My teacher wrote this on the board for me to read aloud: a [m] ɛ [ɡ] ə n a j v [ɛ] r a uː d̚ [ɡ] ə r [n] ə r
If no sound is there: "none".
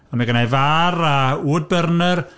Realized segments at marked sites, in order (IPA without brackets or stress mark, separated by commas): m, ɡ, a, b, n